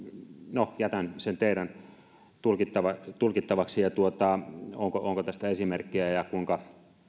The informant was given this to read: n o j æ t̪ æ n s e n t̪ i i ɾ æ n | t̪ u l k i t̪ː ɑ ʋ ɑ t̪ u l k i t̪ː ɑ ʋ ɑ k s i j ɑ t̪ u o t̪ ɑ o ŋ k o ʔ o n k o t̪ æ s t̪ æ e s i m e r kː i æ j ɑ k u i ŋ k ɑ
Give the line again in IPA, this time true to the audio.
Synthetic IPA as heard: n o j æ t̪ æ n s e n t̪ e i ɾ æ n | t̪ u l k i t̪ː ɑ ʋ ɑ t̪ u l k i t̪ː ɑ ʋ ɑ k s i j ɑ t̪ u o t̪ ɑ o ŋ k o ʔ o ŋ k o t̪ æ s t̪ æ e s i m e r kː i æ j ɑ k u i ŋ k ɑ